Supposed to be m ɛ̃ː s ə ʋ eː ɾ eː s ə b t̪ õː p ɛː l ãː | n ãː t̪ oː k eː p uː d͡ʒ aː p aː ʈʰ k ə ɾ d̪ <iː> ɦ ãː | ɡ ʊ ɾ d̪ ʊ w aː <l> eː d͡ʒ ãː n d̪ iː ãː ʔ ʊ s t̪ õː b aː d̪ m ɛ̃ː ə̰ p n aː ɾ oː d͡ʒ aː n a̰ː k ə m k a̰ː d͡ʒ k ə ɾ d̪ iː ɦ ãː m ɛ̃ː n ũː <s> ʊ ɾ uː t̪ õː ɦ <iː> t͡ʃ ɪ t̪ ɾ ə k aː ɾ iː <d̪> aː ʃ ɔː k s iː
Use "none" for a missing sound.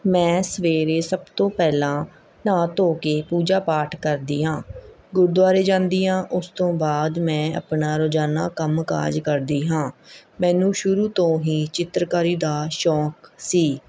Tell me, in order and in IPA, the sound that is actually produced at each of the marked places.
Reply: iː, ɾ, ʃ, iː, d̪

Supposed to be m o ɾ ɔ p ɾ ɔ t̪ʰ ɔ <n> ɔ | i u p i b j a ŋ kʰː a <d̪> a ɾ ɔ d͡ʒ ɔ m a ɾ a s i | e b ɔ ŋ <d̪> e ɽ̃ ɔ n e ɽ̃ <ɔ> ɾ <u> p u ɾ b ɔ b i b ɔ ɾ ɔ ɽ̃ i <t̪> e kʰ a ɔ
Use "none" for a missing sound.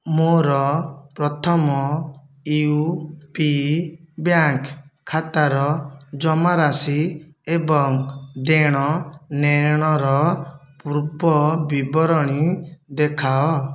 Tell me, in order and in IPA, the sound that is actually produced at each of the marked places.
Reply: m, t̪, d̪, ɔ, ɔ, d̪

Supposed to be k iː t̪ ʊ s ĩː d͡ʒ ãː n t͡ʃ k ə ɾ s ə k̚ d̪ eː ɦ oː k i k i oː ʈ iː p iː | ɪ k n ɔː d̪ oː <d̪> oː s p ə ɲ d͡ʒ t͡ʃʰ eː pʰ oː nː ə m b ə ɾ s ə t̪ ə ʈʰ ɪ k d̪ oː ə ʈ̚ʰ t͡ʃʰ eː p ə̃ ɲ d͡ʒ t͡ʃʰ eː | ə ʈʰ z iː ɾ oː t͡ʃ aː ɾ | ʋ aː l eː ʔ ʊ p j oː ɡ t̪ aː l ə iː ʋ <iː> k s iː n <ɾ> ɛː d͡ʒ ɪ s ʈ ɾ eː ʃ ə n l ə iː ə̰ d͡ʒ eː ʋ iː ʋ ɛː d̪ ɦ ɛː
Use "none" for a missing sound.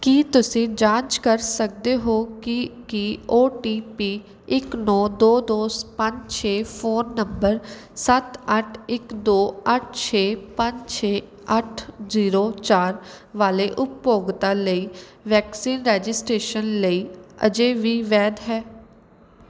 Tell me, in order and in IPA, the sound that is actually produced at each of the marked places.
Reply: d̪, ɛː, ɾ

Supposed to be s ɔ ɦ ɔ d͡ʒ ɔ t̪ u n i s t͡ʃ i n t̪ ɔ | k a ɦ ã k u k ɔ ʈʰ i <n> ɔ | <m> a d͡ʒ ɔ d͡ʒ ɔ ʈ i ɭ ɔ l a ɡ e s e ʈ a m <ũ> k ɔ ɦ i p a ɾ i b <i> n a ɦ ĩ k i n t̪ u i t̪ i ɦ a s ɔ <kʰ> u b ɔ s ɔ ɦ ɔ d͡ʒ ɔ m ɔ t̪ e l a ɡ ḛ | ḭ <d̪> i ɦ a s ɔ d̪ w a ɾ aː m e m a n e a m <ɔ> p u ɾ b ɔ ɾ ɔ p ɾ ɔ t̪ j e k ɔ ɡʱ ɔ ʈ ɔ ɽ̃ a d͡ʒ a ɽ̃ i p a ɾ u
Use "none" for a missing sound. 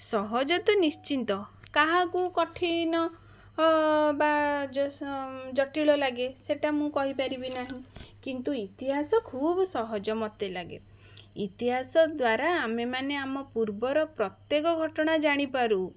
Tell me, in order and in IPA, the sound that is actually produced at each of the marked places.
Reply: n, b, ũ, i, kʰ, t̪, ɔ

